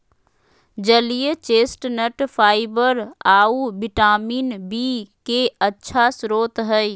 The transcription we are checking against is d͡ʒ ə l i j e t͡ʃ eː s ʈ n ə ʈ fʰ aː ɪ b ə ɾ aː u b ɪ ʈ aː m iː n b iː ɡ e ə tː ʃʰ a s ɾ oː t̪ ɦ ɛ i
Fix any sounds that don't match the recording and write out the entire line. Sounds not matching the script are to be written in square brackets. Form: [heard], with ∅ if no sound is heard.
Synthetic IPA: d͡ʒ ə l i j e t͡ʃ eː s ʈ n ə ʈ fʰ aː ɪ b ə ɾ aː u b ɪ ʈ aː m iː n b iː [k] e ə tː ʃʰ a s ɾ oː t̪ ɦ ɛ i